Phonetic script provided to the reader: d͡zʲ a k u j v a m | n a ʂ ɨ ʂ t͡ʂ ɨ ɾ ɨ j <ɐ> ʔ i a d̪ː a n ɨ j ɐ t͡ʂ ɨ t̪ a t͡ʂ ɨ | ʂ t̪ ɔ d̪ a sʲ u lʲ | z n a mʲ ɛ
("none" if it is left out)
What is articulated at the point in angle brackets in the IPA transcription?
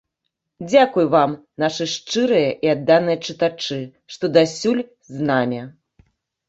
ɐ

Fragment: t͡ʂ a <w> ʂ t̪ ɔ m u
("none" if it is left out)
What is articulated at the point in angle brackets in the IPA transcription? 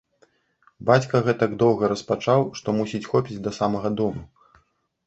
w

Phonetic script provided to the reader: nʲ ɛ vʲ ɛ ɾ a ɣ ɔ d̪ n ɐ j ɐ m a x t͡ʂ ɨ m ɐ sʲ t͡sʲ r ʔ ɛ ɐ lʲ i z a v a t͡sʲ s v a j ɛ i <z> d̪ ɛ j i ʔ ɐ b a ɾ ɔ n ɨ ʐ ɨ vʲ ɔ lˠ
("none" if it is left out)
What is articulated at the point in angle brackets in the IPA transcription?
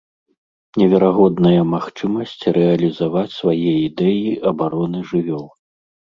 none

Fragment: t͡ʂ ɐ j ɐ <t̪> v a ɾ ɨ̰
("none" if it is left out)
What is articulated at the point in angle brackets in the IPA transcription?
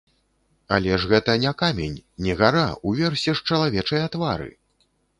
t̪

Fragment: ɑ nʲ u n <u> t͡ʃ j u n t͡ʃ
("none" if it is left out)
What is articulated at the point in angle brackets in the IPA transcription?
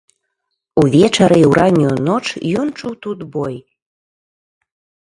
o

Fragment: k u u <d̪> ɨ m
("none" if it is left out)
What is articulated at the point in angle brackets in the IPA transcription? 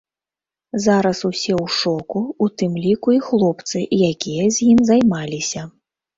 t̪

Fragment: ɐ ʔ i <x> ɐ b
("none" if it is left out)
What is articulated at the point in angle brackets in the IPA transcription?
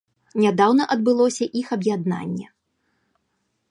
x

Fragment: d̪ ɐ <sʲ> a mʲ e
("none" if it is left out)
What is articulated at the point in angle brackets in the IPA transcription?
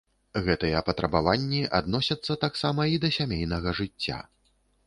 sʲ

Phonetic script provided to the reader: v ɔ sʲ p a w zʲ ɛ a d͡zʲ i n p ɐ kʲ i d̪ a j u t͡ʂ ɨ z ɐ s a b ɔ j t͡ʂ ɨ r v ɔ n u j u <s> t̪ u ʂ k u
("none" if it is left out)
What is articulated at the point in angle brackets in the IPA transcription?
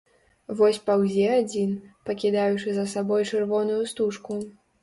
s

